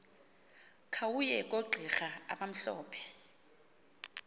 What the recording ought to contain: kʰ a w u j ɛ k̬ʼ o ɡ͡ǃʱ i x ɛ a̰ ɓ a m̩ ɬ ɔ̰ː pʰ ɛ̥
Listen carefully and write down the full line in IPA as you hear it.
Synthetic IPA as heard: kʰ a w u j ɛ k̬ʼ o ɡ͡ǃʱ i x a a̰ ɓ a m̩ ɬ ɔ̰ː pʰ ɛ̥